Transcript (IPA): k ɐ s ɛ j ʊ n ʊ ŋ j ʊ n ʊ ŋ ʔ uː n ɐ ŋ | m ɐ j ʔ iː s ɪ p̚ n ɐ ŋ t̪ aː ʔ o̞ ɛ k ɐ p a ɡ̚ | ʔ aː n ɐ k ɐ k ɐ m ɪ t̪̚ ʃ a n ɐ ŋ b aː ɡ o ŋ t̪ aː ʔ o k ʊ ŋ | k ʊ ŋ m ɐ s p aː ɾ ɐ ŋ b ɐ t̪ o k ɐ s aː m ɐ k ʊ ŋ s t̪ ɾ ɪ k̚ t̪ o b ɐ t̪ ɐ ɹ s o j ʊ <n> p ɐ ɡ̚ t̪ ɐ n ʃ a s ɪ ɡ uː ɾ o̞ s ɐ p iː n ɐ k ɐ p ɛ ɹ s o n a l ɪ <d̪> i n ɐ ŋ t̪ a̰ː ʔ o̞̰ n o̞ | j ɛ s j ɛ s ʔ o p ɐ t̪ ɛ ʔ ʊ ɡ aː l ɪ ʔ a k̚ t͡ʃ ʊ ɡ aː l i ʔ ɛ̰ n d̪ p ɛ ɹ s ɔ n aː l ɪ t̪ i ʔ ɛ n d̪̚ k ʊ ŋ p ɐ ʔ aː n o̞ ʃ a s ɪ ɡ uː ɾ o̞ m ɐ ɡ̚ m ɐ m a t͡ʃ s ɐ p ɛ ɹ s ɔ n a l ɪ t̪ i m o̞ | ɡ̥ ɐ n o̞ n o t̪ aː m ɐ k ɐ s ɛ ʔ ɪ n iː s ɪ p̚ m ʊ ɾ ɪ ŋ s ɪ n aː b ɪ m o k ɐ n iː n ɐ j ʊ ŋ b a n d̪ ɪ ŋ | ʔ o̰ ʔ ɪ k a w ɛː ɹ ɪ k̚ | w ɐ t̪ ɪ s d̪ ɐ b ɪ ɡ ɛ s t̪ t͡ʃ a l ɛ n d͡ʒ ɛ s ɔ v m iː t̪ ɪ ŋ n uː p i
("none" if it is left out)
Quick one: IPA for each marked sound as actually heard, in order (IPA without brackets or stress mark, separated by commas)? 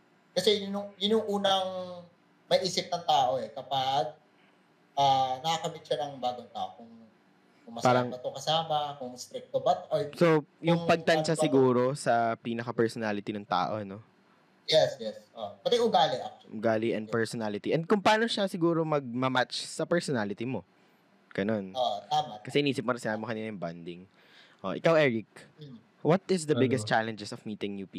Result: ŋ, t̪